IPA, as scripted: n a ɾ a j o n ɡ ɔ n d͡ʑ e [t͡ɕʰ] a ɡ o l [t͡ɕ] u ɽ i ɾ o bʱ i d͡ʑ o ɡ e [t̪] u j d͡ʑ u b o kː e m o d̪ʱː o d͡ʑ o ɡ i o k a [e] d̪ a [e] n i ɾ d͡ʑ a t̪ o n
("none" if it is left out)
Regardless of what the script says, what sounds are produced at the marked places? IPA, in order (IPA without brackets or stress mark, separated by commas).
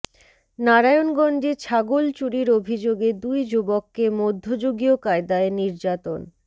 t͡ɕʰ, t͡ɕ, d̪, e, e